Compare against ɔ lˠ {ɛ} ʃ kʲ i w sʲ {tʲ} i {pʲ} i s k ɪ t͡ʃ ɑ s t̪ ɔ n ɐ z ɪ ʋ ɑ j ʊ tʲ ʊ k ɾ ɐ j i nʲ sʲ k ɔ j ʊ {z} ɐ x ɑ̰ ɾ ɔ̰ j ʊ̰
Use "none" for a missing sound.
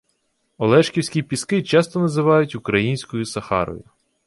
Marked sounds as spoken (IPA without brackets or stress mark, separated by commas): ɛ, kʲ, pʲ, s